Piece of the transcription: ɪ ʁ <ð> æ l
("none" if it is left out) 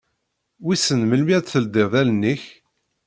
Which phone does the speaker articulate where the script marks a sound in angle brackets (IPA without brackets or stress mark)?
ð